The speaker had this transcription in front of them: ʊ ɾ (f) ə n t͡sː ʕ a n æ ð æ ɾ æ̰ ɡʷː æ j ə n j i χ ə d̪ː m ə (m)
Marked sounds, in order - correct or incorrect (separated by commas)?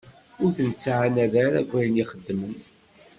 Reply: incorrect, incorrect